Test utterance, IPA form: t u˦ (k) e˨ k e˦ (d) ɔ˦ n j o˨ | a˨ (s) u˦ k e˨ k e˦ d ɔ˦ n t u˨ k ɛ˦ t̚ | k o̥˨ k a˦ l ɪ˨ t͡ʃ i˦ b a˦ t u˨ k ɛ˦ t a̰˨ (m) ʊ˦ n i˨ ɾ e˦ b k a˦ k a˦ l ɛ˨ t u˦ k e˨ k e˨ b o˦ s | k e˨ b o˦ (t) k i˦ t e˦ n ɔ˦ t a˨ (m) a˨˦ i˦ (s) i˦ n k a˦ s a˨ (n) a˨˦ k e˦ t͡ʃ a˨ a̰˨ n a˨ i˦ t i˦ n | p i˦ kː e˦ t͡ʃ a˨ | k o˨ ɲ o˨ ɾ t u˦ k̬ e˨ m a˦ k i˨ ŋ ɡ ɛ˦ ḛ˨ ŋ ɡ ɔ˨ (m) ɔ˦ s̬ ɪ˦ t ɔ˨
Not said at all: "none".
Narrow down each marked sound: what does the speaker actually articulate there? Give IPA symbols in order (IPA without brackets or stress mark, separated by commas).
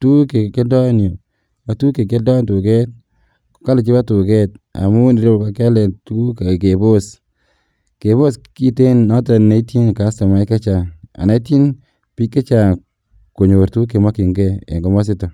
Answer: k, d, t, m, s, n, t, m, m